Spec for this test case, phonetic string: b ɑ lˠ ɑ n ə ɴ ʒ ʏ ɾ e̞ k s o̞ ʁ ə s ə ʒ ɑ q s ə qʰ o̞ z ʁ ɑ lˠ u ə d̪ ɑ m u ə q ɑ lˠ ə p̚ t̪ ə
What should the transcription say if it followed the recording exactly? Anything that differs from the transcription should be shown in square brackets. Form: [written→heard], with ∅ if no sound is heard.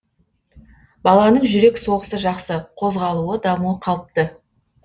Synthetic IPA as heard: b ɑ lˠ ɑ n ə ɴ ʒ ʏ ɾ e̞ k s o̞ ʁ ə s ə ʒ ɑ q s ə qʰ o̞ z ʁ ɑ lˠ u ə d̪ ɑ m u ə [q→qʰ] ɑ lˠ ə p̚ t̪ ə